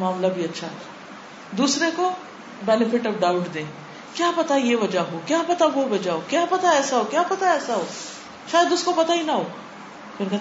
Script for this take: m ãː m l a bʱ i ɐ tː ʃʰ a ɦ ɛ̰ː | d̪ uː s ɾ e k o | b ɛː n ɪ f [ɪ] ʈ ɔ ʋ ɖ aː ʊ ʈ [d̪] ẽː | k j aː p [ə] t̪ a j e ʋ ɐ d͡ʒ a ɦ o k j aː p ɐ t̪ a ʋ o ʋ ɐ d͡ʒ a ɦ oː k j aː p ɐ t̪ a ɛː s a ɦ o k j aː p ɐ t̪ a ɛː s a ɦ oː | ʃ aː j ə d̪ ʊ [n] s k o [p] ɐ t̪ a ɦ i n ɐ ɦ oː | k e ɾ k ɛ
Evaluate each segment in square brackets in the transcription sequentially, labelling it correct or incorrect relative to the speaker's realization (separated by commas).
correct, correct, incorrect, incorrect, correct